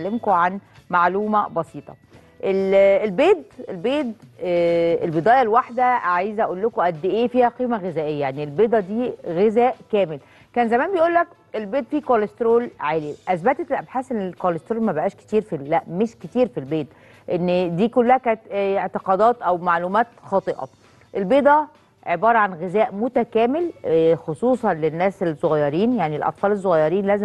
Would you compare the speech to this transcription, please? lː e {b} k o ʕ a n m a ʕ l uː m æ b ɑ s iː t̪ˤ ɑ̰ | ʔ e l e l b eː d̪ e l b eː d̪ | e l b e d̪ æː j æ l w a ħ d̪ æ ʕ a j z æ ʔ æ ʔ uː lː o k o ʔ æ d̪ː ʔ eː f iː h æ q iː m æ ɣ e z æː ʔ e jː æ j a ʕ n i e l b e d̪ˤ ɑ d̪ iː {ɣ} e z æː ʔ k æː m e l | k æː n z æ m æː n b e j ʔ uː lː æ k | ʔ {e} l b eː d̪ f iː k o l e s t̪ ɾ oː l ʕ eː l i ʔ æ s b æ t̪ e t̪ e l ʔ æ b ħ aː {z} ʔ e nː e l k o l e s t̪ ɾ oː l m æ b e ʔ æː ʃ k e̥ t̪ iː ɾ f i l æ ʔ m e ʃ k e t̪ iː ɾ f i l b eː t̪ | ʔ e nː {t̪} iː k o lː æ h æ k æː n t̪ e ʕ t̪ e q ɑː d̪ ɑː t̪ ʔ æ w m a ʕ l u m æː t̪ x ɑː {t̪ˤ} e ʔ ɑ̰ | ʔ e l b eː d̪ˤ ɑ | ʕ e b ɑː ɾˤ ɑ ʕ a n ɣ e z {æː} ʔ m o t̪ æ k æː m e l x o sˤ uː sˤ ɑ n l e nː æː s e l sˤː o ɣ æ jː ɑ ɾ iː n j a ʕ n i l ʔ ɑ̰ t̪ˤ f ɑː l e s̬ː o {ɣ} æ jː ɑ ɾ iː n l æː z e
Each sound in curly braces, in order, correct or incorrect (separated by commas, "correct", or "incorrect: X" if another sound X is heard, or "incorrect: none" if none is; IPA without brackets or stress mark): incorrect: m, correct, correct, incorrect: s, incorrect: d̪, correct, correct, correct